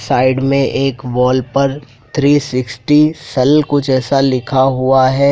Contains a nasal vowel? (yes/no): yes